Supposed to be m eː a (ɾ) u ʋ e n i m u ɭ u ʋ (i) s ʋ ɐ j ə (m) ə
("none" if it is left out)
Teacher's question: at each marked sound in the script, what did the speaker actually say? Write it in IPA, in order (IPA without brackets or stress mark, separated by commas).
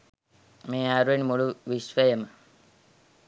ɾ, i, m